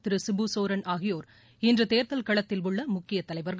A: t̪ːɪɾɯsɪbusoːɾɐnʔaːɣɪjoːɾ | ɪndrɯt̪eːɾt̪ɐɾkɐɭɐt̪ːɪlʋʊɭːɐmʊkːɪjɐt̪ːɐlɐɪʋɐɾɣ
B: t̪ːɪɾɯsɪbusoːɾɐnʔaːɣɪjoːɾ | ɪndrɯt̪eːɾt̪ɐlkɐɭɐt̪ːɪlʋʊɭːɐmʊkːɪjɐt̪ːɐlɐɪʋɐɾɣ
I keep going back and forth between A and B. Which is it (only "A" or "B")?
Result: B